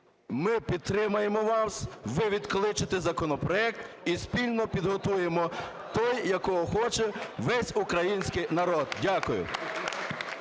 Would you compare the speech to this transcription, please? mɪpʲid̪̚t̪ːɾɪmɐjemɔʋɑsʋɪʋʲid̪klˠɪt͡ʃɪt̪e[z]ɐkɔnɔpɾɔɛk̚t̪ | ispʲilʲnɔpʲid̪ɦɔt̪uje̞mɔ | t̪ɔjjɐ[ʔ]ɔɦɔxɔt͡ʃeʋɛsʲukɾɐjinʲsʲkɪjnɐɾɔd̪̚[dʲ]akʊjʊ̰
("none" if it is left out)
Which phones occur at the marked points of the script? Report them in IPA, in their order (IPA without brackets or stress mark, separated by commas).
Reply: z, k, dʲ